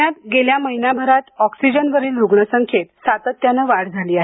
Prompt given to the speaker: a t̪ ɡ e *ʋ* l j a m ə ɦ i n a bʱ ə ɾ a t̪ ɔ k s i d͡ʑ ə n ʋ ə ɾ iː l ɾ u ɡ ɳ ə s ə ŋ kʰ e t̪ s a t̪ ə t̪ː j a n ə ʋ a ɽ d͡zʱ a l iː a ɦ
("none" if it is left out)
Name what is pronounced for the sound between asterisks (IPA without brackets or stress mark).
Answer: none